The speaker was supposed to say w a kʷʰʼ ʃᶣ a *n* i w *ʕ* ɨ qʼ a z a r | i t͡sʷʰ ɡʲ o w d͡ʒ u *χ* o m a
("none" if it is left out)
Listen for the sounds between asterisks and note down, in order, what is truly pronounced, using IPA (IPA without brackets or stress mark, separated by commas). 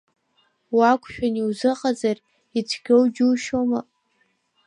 n, z, ʃ